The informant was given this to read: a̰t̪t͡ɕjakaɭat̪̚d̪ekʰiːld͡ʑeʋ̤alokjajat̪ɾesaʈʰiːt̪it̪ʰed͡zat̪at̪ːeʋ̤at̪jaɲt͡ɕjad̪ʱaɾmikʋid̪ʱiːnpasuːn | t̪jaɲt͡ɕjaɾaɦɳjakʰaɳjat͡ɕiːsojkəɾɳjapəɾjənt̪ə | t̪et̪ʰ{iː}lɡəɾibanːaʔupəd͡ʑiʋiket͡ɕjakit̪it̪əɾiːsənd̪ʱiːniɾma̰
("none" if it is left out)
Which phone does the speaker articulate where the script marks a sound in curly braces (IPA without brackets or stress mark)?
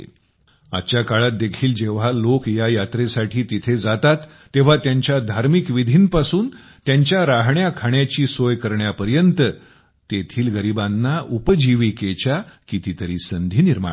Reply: iː